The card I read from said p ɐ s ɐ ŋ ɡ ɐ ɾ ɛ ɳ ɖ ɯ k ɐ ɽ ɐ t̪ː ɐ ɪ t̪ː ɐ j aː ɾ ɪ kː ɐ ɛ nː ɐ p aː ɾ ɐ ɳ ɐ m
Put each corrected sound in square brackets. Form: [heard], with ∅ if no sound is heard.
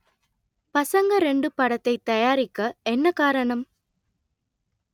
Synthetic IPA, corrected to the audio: p ɐ s ɐ ŋ ɡ ɐ ɾ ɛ ɳ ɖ ɯ [p] ɐ ɽ ɐ t̪ː ɐ ɪ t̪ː ɐ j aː ɾ ɪ kː ɐ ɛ nː ɐ [k] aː ɾ ɐ ɳ ɐ m